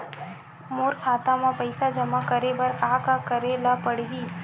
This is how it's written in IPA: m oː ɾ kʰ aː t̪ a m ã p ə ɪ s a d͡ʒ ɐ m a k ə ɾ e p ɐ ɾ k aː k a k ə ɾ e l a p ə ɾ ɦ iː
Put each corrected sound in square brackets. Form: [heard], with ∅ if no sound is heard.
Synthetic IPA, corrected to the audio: m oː ɾ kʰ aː t̪ a m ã p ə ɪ s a d͡ʒ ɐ m a k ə ɾ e [b] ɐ ɾ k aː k a k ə ɾ e l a p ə [ɽ] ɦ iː